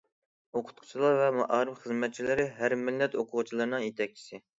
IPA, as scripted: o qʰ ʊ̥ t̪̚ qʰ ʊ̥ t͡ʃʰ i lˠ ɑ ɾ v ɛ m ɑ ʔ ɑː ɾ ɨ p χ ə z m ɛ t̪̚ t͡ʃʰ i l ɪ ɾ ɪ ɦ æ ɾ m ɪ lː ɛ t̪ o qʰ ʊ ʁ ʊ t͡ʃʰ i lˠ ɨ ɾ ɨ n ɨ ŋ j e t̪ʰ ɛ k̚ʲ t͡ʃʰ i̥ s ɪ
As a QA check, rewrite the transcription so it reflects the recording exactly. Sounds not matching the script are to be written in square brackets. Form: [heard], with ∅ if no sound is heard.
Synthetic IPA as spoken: o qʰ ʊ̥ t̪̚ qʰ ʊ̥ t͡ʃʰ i lˠ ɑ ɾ v ɛ m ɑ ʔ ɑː ɾ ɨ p χ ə z m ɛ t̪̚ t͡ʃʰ i l ɪ ɾ ɪ ɦ æ ɾ m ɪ lː ɛ t̪ o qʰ ʊ ʁ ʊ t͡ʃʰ i lˠ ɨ ɾ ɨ n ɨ ŋ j e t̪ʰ ɛ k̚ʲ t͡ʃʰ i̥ s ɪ